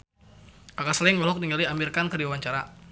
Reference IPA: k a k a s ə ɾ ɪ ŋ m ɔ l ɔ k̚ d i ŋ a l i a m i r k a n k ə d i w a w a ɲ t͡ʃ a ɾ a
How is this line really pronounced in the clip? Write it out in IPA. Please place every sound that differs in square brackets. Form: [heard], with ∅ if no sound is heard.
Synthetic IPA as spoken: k a k a s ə [l] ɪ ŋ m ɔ l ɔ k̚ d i ŋ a l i a m i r k a n k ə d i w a w a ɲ t͡ʃ a ɾ a